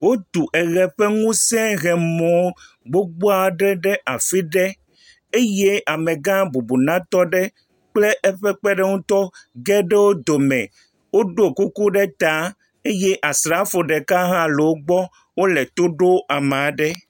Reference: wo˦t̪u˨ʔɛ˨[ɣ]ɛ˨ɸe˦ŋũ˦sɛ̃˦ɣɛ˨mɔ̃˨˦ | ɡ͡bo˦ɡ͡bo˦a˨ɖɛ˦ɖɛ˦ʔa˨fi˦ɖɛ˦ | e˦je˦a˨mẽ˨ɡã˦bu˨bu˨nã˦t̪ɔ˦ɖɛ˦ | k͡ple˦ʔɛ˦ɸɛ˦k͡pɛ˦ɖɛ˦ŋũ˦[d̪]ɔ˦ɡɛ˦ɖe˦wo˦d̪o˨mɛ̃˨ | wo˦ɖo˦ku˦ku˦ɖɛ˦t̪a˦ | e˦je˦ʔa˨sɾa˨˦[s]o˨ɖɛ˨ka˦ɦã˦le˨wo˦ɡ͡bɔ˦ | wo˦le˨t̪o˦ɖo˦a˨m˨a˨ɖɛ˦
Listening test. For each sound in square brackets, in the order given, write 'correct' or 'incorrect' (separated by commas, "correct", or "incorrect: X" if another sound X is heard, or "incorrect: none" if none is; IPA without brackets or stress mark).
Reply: correct, incorrect: t̪, incorrect: f